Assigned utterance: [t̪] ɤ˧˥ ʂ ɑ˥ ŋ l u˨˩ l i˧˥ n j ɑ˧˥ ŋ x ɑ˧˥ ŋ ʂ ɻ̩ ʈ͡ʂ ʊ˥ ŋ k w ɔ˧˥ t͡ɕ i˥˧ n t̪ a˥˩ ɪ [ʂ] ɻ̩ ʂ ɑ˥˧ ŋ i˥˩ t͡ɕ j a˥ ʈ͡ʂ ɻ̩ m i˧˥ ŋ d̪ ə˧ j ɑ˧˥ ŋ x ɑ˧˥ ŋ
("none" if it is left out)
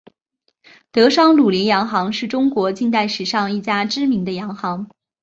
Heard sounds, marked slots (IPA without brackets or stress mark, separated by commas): t̪, ʂ